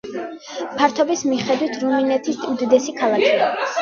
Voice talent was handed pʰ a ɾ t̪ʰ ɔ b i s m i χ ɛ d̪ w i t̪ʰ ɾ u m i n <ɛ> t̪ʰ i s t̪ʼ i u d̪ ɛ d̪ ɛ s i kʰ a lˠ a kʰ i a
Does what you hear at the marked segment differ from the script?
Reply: no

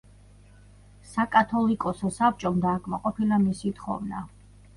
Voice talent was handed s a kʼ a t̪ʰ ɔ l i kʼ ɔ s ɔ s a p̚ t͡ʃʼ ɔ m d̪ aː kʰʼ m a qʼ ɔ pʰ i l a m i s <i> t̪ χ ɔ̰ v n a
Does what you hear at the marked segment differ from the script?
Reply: no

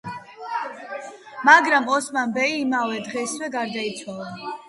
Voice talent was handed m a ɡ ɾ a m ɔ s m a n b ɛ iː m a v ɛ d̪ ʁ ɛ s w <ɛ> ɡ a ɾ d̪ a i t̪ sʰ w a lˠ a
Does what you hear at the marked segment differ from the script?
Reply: no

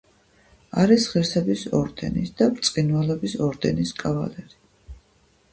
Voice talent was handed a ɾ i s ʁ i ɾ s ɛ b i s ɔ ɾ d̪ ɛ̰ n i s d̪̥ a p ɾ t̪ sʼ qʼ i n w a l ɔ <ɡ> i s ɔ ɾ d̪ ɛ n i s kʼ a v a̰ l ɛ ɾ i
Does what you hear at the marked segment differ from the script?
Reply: yes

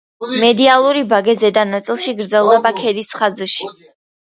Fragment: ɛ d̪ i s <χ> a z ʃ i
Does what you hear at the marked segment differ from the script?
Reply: no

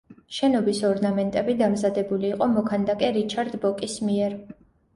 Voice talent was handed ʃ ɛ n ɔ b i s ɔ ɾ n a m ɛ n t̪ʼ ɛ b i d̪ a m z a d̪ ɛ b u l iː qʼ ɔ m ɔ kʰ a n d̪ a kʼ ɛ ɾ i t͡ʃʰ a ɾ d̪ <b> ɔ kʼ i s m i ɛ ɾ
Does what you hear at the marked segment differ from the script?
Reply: no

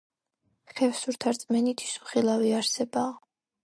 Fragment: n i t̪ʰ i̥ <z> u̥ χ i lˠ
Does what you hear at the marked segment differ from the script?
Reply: yes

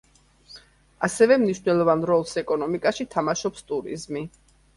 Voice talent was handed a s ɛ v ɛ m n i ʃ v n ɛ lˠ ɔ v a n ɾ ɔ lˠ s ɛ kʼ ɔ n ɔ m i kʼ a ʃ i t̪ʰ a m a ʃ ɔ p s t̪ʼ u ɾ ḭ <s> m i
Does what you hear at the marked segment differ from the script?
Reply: yes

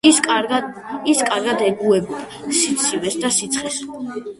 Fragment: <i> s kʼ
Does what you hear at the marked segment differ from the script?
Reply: no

